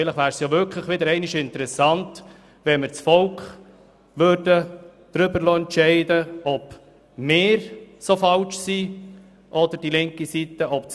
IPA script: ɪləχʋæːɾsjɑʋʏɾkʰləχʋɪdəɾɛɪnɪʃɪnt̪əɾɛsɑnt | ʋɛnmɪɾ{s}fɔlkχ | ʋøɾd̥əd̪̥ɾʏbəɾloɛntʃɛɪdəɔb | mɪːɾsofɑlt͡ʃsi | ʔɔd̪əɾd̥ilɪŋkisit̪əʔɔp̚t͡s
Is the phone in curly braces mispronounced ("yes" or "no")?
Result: yes